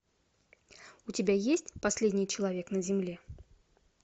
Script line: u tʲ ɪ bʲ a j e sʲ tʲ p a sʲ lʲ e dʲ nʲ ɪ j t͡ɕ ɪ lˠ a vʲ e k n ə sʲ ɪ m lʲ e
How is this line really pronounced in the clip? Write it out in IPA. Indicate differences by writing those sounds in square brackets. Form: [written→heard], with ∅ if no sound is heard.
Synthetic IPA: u tʲ ɪ bʲ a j e sʲ tʲ p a sʲ lʲ e dʲ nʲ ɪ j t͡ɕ ɪ lˠ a vʲ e k n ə [sʲ→zʲ] ɪ m lʲ e